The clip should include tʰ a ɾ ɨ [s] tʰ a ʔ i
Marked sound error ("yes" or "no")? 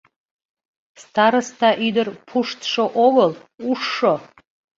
no